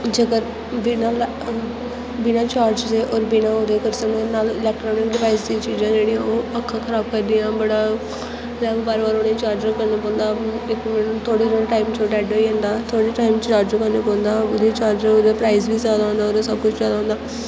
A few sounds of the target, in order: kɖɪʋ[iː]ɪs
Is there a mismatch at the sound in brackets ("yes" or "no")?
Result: yes